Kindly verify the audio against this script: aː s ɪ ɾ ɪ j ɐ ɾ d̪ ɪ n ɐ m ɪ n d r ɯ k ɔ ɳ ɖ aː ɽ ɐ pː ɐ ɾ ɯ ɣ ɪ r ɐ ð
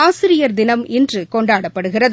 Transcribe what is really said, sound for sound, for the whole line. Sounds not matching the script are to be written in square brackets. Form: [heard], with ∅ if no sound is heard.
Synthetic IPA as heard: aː s ɪ ɾ ɪ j ɐ ɾ d̪ ɪ n ɐ m ɪ n d r ɯ k ɔ ɳ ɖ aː ɽ ɐ pː ɐ [ɽ] ɯ ɣ ɪ r ɐ ð